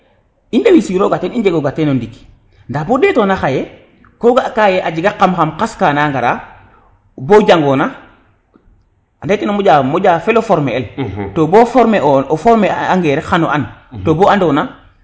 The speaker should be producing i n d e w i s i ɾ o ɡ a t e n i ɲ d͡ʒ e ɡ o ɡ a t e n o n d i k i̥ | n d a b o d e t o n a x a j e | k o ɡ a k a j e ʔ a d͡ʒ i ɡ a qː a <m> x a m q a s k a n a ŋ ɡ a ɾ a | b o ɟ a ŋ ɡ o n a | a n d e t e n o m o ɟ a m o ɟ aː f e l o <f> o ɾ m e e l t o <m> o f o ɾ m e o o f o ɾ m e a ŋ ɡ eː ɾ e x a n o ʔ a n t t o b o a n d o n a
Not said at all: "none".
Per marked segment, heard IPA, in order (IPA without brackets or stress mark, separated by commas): m, f, b